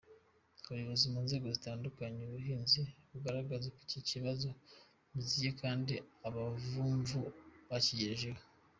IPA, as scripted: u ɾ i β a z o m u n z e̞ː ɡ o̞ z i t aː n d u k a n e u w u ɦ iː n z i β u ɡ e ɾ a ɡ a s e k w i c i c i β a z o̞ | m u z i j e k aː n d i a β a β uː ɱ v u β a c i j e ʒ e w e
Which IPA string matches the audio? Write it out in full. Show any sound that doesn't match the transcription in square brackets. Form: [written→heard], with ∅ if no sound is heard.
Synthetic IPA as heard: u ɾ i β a z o m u n z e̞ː ɡ o̞ z i t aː n d u k a [n→ɲ] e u [w→β] u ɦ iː n z i β u ɡ [e→a] ɾ a ɡ a [s→z] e k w i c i c i β a z o̞ | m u z i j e k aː n d i a β a [β→v] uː ɱ v u β a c i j e ʒ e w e